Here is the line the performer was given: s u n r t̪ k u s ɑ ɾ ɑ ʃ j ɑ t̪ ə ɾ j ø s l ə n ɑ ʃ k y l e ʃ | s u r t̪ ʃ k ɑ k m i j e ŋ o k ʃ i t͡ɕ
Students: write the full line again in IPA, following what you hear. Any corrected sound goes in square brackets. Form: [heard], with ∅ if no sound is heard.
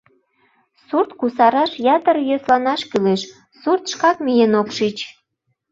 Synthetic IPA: s u [∅] r t̪ k u s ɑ ɾ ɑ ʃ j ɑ t̪ ə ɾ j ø s l [ɑ] n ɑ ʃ k y l e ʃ | s u r t̪ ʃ k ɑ k m i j e [n] o k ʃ i t͡ɕ